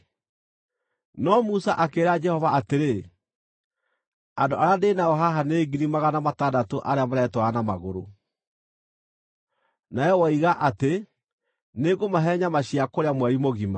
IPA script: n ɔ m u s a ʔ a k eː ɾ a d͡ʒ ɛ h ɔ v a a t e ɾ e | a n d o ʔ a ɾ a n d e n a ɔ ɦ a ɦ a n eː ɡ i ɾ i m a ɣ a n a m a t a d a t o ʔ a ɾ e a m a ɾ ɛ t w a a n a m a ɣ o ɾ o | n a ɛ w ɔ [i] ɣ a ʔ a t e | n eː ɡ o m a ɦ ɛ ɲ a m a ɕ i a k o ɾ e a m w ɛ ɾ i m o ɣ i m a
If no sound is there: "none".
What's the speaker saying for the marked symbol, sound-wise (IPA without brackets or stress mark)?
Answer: i